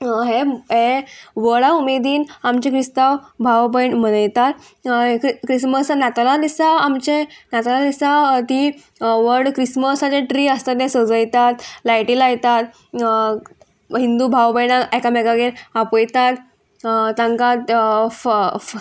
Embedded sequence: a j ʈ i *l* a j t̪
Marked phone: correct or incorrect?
correct